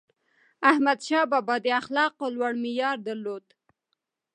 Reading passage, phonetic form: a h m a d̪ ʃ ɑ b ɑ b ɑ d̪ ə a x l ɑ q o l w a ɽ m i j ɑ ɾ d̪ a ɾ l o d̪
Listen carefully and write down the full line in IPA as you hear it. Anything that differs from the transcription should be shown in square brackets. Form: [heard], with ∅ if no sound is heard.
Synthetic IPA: a h m a d̪ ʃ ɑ b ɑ b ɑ d̪ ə a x l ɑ q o l w a ɽ m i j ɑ ɾ d̪ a ɾ l o d̪